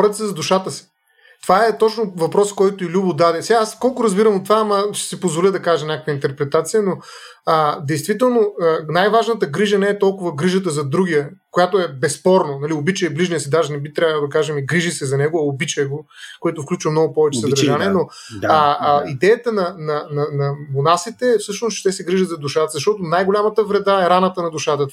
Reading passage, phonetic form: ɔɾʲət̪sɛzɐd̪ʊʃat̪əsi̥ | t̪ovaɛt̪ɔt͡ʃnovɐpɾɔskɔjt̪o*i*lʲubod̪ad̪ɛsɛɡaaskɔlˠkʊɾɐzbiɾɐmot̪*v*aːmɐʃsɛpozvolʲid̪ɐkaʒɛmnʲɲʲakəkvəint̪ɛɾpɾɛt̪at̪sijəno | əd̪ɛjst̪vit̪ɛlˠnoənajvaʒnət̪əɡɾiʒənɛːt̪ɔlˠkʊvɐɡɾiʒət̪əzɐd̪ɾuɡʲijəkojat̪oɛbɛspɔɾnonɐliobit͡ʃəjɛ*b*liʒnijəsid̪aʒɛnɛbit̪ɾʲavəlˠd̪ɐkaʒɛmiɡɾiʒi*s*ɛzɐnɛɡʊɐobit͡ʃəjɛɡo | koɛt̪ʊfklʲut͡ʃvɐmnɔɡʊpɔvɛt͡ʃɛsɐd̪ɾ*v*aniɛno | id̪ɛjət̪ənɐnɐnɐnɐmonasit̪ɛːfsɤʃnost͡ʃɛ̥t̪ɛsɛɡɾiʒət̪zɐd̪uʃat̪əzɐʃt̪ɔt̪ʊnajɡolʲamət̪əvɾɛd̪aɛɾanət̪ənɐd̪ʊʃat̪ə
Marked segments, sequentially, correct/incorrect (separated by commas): correct, correct, correct, correct, incorrect